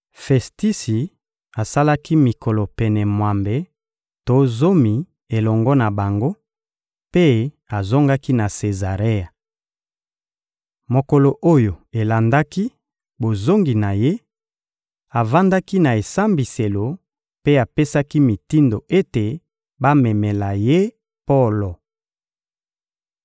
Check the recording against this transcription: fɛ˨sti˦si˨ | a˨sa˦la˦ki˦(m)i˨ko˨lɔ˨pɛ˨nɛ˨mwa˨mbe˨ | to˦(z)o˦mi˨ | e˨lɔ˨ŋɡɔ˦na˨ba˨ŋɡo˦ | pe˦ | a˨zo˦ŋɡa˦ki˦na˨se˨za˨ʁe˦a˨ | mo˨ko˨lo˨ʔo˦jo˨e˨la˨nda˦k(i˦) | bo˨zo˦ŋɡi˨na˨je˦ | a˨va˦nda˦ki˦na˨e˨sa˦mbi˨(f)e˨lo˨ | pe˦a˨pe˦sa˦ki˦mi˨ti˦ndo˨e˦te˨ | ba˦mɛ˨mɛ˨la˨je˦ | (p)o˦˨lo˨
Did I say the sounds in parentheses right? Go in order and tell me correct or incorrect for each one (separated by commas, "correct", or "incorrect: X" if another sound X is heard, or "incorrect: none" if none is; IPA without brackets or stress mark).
correct, correct, correct, incorrect: s, correct